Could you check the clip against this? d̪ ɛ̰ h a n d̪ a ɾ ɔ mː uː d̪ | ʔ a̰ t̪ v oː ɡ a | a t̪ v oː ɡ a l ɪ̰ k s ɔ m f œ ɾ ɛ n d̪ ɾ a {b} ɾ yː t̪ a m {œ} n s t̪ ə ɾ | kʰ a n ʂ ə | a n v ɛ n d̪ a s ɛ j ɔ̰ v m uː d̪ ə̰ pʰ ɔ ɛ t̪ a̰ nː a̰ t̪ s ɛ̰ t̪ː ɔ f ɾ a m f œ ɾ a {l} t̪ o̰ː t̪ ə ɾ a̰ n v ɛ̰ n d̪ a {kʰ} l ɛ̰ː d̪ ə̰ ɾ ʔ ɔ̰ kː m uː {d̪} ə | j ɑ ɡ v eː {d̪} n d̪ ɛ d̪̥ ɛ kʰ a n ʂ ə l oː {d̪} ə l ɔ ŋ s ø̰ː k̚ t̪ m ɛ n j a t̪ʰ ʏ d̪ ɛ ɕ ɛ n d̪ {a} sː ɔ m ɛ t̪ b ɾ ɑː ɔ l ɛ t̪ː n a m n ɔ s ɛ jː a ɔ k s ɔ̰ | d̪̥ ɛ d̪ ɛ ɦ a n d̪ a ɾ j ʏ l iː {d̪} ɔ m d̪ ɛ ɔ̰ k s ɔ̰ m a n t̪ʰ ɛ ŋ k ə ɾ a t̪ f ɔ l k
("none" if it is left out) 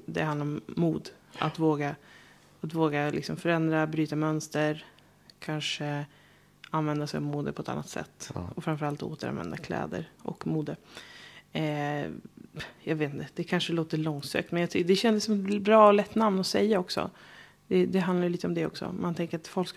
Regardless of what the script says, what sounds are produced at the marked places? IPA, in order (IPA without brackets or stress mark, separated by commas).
b, œ, l, kʰ, d̪, t̪, t̪, ə, t̪